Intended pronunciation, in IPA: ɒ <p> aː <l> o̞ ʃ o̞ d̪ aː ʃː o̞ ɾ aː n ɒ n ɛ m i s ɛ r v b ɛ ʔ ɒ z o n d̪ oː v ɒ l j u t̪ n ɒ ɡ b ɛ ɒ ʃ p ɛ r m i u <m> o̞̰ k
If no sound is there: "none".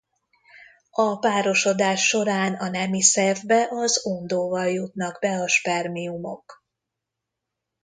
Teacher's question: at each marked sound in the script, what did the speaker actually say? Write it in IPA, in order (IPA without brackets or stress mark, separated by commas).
p, ɾ, m